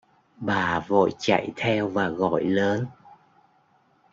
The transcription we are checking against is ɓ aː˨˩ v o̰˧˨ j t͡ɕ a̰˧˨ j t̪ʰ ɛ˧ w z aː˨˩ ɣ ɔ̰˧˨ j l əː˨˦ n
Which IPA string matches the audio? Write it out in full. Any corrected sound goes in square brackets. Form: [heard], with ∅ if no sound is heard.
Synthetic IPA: ɓ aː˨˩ v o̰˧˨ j t͡ɕ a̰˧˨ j t̪ʰ ɛ˧ w [v] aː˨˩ ɣ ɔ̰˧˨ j l əː˨˦ n